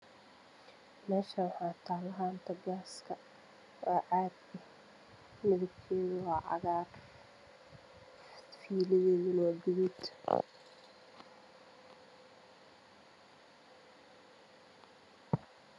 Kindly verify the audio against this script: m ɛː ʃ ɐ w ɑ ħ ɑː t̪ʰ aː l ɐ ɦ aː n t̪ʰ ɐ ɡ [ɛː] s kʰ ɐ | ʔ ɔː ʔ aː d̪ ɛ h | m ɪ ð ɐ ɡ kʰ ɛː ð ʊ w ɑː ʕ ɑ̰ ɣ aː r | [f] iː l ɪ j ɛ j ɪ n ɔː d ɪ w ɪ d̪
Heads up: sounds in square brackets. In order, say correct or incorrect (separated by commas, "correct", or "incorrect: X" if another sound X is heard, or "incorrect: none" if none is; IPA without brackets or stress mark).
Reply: incorrect: aː, correct